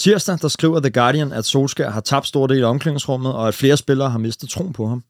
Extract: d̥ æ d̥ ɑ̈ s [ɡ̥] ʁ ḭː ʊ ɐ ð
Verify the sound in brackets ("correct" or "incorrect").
correct